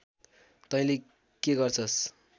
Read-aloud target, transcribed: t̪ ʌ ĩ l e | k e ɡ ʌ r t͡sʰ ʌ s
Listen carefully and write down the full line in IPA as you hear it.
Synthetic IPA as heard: t̪ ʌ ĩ l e | k e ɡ ʌ r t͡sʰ ʌ s